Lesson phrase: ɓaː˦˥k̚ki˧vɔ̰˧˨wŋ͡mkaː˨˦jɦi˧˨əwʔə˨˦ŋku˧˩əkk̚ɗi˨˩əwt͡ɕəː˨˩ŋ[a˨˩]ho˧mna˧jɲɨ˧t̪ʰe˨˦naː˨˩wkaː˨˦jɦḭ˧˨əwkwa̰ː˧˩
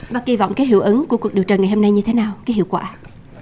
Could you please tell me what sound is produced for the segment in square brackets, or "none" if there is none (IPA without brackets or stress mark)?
a˨˩